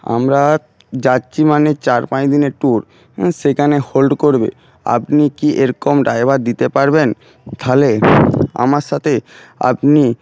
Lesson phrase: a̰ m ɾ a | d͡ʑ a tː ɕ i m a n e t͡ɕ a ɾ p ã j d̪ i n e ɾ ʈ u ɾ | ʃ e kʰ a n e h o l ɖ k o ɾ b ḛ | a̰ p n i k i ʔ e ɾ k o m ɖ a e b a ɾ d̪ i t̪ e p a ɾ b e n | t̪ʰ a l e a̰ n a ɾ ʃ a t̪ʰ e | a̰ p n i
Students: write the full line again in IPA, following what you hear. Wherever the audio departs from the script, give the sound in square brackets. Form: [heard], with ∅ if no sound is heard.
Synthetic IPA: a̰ m ɾ a | d͡ʑ a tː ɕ i m a n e t͡ɕ a ɾ p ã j d̪ i n e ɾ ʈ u ɾ | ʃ e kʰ a n e h o l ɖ k o ɾ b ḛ | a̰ p n i k i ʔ e ɾ k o m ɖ a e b a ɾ d̪ i t̪ e p a ɾ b e n | t̪ʰ a l e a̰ [m] a ɾ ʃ a t̪ʰ e | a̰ p n i